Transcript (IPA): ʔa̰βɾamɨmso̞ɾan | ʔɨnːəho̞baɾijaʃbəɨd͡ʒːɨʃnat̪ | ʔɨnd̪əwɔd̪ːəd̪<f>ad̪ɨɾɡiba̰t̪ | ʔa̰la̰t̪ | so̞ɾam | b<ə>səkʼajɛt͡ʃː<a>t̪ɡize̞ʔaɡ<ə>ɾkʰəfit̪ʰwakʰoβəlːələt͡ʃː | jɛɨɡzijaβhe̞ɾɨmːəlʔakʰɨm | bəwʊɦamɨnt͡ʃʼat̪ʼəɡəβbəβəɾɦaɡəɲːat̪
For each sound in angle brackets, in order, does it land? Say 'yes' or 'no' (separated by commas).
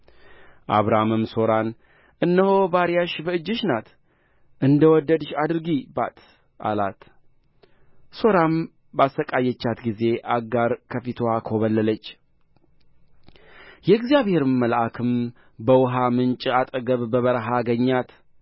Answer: no, no, yes, no